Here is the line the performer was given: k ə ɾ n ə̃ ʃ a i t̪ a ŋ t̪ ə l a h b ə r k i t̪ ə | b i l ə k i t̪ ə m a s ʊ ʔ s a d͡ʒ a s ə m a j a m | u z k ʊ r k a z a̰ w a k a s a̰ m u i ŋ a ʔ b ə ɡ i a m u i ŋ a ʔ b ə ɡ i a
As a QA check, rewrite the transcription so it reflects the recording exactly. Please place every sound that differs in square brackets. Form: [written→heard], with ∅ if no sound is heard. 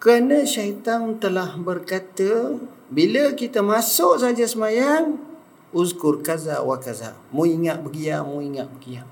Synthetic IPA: k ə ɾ n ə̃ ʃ a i t̪ a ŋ t̪ ə l a h b ə r k [i→a] t̪ ə | b i l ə k i t̪ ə m a s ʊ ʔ s a d͡ʒ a s ə m a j a [m→ŋ] | u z k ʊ r k a z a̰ w a k a [s→z] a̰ m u i ŋ a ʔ b ə ɡ i a m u i ŋ a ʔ b ə ɡ i a